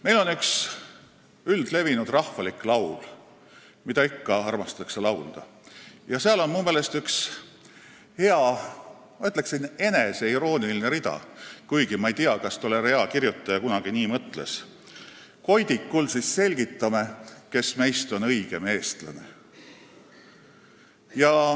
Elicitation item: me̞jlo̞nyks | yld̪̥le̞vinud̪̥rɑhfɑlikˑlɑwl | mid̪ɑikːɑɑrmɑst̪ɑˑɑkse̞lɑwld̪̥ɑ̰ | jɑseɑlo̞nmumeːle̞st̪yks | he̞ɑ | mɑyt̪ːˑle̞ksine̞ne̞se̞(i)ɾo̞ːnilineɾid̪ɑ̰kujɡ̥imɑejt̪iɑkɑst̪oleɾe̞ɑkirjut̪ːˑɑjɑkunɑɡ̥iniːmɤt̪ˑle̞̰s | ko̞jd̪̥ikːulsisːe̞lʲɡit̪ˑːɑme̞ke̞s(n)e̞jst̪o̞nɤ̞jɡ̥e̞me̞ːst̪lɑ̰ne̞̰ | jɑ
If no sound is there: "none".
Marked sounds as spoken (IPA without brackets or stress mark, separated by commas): i, m